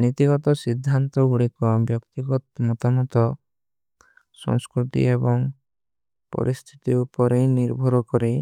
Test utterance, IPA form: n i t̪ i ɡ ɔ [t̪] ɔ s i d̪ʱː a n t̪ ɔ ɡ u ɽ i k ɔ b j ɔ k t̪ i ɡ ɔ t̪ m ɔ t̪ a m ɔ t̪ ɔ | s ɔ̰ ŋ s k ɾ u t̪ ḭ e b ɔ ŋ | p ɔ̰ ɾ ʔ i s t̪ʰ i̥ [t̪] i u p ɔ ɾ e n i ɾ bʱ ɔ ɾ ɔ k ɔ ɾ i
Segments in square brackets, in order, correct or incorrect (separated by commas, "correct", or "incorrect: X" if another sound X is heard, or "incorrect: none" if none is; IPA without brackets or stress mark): correct, correct